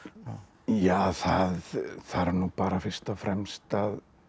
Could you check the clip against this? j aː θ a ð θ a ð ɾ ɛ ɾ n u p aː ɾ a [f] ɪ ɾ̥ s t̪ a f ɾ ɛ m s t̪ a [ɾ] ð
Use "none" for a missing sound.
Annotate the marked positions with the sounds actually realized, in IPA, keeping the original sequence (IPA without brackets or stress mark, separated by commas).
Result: f, none